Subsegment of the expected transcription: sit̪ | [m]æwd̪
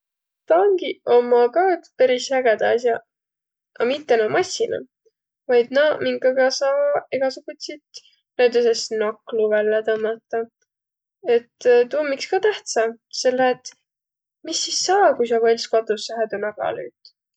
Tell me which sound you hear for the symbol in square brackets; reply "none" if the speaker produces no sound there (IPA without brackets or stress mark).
n